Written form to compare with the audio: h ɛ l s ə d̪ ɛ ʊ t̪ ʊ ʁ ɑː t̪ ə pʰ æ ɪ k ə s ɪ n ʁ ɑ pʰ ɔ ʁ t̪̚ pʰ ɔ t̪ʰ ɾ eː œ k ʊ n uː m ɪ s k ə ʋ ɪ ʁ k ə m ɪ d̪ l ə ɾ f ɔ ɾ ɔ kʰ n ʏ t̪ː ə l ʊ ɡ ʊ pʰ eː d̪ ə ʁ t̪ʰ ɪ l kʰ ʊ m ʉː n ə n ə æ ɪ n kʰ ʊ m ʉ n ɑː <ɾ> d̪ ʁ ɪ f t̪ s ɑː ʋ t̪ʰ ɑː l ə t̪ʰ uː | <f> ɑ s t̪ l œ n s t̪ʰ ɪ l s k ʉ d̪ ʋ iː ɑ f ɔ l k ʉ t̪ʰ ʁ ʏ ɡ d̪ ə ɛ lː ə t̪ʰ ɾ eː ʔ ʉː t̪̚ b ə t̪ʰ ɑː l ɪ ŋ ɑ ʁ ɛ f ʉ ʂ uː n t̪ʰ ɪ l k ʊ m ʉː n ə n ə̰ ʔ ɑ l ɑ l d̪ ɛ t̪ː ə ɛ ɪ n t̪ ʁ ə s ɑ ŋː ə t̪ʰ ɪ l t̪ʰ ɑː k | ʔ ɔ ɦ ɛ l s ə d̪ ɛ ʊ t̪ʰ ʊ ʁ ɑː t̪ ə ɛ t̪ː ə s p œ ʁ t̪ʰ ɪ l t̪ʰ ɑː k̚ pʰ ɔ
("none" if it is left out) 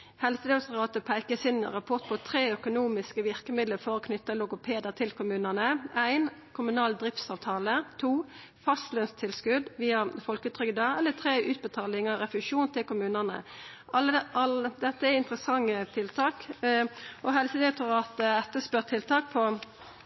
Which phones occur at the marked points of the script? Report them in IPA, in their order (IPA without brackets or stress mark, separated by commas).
l, f